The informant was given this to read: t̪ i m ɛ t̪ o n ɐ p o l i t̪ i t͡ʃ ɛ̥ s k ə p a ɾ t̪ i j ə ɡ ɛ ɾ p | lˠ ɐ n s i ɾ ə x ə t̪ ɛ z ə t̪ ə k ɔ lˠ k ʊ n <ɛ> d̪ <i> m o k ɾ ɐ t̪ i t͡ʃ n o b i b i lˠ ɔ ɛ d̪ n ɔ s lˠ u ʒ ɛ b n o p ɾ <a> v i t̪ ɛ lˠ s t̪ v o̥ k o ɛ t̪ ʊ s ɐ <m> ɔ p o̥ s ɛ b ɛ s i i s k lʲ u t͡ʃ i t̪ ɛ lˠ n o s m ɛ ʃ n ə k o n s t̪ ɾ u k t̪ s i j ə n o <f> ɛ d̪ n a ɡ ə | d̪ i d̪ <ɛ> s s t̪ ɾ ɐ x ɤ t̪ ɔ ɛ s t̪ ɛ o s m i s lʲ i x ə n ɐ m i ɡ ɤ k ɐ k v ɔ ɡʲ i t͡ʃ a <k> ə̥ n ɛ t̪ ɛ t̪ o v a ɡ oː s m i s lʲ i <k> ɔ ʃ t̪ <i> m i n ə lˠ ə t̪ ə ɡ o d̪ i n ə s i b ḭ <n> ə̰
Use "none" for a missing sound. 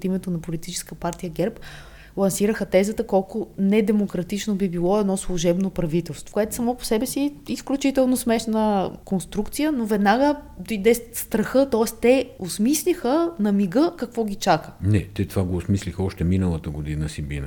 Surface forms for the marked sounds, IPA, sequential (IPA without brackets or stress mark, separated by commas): ɛ, ɛ, ɐ, m, v, ɛ, k, x, ɛ, n